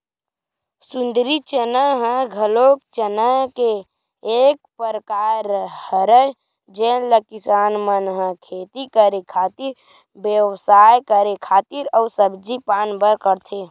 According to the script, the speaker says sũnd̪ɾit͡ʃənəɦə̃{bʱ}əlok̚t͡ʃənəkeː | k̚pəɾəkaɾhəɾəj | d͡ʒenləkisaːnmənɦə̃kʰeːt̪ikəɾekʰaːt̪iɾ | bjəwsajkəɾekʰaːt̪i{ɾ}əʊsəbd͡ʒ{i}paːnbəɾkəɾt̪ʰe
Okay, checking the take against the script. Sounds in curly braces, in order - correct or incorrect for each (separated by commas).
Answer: incorrect, correct, correct